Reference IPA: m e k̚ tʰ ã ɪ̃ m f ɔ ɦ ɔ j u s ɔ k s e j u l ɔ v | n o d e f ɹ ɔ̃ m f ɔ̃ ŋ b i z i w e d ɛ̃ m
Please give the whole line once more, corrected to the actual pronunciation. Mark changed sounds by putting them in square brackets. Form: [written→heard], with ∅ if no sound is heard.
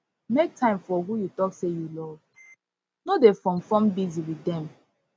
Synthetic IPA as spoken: m e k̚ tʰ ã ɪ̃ m f ɔ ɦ [ɔ→u] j u [s→t] ɔ k s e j u l ɔ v | n o d e f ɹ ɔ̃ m f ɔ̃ [ŋ→m] b i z i w [e→i] d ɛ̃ m